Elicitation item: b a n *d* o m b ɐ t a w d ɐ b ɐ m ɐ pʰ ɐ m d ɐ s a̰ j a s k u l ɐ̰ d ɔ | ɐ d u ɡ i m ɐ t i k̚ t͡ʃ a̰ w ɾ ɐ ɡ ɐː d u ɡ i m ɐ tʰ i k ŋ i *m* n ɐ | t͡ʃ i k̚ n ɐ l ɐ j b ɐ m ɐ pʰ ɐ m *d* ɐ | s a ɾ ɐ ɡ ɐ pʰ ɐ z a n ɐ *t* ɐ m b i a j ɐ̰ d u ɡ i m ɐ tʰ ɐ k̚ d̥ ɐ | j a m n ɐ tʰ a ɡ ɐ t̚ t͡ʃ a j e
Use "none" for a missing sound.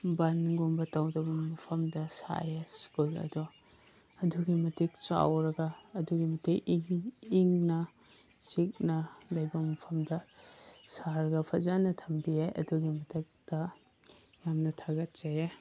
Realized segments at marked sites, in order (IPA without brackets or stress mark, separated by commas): ɡ, ŋ, d, tʰ